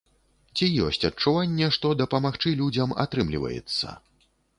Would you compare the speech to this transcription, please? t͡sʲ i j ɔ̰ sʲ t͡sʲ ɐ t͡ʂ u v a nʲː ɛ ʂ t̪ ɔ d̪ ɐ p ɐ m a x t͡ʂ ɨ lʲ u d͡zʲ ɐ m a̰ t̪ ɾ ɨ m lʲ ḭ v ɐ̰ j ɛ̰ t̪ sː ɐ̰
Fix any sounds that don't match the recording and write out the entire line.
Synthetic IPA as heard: t͡sʲ i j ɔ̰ sʲ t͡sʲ ɐ t͡ʂ u v a nʲː ɛ ʂ t̪ ɔ d̪ ɐ p ɐ m a x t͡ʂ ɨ lʲ u d͡zʲ ɐ m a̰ t̪ ɾ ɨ m lʲ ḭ v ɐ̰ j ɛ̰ t̪ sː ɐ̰

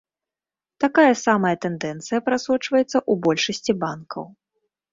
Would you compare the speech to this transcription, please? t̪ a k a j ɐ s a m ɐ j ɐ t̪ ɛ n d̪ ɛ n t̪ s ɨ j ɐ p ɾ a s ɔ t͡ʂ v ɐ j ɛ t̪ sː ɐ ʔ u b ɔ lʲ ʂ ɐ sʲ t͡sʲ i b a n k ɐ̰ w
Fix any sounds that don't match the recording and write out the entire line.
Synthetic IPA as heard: t̪ a k a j ɐ s a m ɐ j ɐ t̪ ɛ n d̪ ɛ n t̪ s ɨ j ɐ p ɾ a s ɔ t͡ʂ v ɐ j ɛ t̪ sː ɐ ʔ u b ɔ lʲ ʂ ɐ sʲ t͡sʲ i b a n k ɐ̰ w

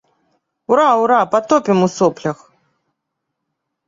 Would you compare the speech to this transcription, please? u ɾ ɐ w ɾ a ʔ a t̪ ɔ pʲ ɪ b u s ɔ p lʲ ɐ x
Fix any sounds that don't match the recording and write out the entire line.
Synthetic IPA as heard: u ɾ a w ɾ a p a t̪ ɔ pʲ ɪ m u s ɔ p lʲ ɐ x

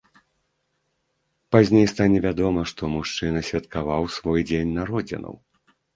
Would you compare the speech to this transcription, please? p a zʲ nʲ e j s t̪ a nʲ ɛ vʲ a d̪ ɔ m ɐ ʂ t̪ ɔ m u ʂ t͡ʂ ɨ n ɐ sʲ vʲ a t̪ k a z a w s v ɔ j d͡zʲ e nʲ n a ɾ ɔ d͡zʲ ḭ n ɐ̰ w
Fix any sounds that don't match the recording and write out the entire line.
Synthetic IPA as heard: p a zʲ nʲ e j s t̪ a nʲ ɛ vʲ a d̪ ɔ m ɐ ʂ t̪ ɔ m u ʂ t͡ʂ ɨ n ɐ sʲ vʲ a t̪ k a v a w s v ɔ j d͡zʲ e nʲ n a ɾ ɔ d͡zʲ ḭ n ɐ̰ w

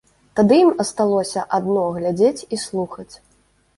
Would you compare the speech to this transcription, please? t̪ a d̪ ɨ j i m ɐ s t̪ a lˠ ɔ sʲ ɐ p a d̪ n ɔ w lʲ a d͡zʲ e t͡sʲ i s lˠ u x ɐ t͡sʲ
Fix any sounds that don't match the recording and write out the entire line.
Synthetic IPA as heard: t̪ a d̪ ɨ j i m ɐ s t̪ a lˠ ɔ sʲ ɐ ʔ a d̪ n ɔ ɣ lʲ a d͡zʲ e t͡sʲ i s lˠ u x ɐ t͡sʲ

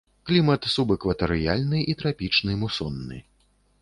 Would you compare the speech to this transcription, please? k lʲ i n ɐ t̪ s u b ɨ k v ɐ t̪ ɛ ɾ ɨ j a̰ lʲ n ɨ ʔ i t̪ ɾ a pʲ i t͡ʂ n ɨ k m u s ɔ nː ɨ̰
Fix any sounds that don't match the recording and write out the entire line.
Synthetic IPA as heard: k lʲ i m ɐ t̪ s u b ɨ k v ɐ t̪ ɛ ɾ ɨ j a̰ lʲ n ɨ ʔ i t̪ ɾ a pʲ i t͡ʂ n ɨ m u s ɔ nː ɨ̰

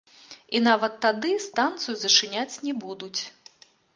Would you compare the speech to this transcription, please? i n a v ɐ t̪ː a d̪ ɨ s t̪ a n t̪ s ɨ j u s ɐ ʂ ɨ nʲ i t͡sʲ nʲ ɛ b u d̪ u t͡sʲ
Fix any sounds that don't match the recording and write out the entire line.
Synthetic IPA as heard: i n a v ɐ t̪ː a d̪ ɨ s t̪ a n t̪ s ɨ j u z ɐ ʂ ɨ nʲ a t͡sʲ nʲ ɛ b u d̪ u t͡sʲ

